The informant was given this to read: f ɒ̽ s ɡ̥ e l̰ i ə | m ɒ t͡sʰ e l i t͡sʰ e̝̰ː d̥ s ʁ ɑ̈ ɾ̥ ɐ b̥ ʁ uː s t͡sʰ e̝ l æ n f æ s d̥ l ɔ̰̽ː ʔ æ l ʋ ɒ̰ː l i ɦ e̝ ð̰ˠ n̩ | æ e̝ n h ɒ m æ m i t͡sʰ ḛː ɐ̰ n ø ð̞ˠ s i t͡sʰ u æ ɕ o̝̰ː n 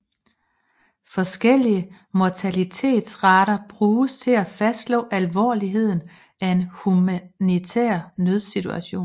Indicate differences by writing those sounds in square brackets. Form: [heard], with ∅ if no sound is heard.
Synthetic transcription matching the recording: f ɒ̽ s ɡ̥ e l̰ i ə | m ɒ t͡sʰ [æ] l i t͡sʰ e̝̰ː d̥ s ʁ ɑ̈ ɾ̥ ɐ b̥ ʁ uː s t͡sʰ e̝ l æ [∅] f æ s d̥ l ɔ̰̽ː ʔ æ l ʋ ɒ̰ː l i ɦ e̝ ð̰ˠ n̩ | æ e̝ n h [u] m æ [n] i t͡sʰ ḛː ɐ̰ n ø ð̞ˠ s i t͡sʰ u æ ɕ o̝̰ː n